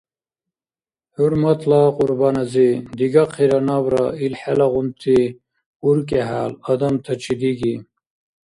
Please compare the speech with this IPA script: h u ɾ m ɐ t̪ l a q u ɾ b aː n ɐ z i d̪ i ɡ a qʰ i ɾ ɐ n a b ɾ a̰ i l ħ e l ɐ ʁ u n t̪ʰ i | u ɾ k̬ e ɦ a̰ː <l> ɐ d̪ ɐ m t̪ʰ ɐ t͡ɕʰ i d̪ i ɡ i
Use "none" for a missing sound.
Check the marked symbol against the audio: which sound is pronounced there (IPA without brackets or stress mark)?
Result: l